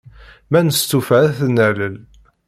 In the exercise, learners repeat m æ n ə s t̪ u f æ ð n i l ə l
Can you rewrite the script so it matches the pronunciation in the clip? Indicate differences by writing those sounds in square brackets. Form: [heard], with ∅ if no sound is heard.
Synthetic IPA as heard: m æ n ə s t̪ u f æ [θ] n [æ] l ə l